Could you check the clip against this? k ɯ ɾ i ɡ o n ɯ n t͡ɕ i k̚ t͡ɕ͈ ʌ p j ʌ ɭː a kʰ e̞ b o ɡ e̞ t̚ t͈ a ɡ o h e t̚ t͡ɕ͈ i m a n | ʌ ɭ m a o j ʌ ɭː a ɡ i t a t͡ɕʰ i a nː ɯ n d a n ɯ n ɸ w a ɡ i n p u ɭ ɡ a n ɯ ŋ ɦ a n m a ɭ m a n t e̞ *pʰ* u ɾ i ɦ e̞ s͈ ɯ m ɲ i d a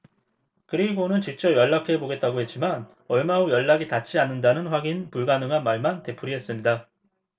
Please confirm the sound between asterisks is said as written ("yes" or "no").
yes